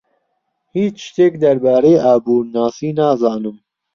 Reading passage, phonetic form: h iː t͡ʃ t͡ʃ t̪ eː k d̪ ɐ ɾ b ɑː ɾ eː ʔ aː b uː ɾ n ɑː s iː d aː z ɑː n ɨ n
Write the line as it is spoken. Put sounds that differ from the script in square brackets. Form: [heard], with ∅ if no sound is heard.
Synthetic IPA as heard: h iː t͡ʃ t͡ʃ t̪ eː k d̪ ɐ ɾ b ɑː ɾ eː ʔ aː b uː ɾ n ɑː s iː [n] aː z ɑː n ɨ [m]